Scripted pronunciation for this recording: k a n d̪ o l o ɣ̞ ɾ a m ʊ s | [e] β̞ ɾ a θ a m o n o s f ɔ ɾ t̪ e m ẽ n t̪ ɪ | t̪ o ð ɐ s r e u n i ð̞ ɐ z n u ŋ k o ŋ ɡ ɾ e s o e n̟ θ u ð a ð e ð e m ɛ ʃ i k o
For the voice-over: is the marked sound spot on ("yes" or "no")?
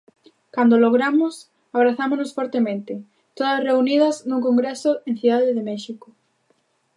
no